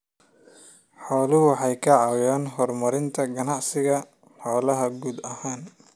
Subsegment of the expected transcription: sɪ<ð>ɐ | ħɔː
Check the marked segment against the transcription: incorrect: ɣ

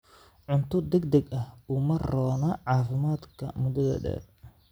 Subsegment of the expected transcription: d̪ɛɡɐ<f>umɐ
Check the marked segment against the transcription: incorrect: h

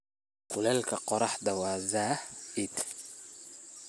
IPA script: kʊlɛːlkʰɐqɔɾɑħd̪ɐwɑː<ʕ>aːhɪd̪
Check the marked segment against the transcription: incorrect: z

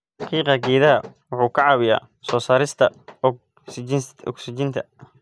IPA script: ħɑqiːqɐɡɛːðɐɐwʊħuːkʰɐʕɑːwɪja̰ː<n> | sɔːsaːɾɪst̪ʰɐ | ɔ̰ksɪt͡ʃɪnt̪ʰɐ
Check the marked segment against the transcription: incorrect: none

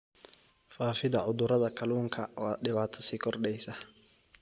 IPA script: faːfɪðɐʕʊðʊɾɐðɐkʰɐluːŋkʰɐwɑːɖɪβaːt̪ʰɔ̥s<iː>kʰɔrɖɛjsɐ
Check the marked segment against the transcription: correct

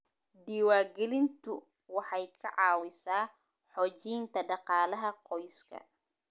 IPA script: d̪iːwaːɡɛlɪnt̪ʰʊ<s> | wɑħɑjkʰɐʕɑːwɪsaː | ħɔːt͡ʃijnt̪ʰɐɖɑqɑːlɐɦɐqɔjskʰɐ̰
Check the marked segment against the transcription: incorrect: none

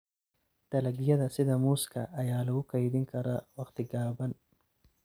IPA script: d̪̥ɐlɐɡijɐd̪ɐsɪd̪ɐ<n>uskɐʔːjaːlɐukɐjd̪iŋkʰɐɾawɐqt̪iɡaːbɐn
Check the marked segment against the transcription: incorrect: m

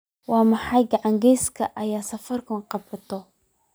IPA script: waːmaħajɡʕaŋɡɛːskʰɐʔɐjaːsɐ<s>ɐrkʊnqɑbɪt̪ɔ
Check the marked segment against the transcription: incorrect: f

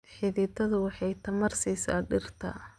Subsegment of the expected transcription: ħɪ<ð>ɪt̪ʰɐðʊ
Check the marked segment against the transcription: correct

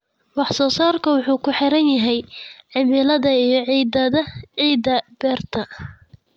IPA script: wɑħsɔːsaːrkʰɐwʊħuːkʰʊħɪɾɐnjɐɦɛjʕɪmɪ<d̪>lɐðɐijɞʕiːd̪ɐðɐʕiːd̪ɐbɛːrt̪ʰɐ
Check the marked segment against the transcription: incorrect: none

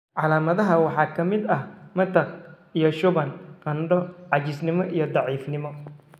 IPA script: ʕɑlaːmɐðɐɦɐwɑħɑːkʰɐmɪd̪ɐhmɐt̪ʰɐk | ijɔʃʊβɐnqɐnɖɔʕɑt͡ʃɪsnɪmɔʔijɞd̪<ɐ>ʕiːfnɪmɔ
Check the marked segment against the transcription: incorrect: ɑ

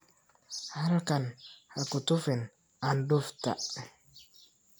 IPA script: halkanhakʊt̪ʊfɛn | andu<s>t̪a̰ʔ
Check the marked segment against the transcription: incorrect: f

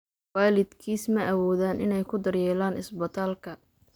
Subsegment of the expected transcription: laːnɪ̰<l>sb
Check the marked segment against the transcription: incorrect: none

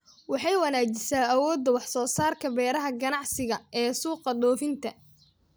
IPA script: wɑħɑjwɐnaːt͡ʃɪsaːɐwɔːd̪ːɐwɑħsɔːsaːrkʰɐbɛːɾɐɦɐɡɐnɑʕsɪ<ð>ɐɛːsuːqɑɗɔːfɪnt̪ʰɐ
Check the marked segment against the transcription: incorrect: ɣ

